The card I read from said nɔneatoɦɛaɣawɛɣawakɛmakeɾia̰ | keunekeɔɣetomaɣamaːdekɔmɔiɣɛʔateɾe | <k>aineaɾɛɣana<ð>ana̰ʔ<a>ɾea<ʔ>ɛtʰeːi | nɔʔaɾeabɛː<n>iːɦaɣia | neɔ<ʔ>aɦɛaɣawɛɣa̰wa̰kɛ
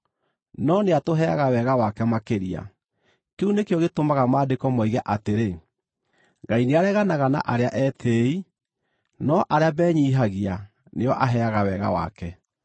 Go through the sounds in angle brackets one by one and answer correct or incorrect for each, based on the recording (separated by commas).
incorrect, incorrect, correct, correct, incorrect, correct